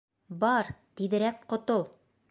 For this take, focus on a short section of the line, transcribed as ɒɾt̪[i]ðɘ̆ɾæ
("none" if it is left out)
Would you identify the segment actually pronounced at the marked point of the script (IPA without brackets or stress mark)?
i